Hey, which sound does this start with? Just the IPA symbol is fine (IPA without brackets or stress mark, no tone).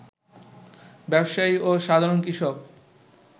b